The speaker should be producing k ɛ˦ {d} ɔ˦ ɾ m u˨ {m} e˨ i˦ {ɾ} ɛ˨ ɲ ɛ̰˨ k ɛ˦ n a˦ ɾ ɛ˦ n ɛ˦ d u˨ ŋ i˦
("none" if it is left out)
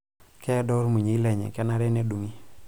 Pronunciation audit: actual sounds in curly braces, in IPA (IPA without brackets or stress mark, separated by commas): d, ɲ, l